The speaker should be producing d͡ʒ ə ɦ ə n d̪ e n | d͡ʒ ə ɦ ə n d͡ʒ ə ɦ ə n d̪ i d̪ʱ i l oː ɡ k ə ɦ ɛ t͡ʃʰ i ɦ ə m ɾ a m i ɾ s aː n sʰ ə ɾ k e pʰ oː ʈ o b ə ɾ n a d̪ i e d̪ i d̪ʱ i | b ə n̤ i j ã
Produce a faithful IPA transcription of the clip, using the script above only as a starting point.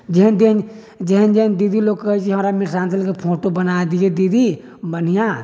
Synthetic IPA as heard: d͡ʒ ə ɦ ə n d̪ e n | d͡ʒ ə ɦ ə n d͡ʒ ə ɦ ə n d̪ i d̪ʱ i l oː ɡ k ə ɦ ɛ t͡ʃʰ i ɦ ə m ɾ a m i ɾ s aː n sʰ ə l k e pʰ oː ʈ o b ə n a d̪ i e d̪ i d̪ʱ i | b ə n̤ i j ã

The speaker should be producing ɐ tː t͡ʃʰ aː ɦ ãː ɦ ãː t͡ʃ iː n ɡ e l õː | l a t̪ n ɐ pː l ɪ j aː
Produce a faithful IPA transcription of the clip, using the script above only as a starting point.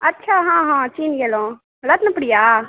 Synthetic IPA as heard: ɐ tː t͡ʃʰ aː ɦ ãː ɦ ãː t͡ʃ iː n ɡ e l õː | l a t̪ n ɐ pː ɽ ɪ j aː

